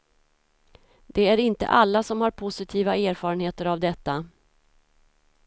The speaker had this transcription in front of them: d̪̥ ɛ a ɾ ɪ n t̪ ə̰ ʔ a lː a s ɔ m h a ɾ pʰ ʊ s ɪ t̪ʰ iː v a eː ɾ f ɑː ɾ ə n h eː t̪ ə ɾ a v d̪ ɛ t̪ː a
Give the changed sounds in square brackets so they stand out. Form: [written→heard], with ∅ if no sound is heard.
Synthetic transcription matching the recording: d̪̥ ɛ [a→æ] ɾ ɪ n t̪ ə̰ ʔ a lː a s ɔ m h a ɾ pʰ ʊ s ɪ t̪ʰ iː v a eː ɾ f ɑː ɾ ə n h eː t̪ ə ɾ a v d̪ ɛ t̪ː a